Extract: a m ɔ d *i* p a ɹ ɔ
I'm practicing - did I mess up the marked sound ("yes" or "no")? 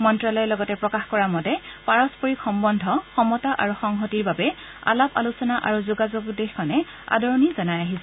yes